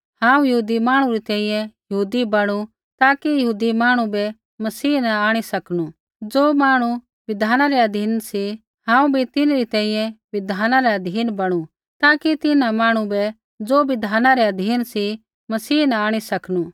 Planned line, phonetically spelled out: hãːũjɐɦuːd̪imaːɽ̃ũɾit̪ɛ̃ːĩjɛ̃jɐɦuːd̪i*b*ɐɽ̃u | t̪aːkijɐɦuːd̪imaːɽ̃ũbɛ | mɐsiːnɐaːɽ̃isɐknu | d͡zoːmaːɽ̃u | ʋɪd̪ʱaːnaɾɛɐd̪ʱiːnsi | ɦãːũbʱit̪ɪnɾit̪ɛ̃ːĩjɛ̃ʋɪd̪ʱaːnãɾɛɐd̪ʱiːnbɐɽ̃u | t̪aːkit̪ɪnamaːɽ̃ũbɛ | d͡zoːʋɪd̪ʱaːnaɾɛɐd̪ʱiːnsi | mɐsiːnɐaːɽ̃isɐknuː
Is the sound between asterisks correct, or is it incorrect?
correct